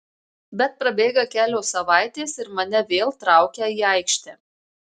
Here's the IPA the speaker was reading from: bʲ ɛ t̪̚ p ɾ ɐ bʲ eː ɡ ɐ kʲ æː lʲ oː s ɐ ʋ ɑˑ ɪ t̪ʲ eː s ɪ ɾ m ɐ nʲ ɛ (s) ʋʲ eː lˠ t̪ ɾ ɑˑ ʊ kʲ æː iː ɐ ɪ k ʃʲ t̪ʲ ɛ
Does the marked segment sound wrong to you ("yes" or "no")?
yes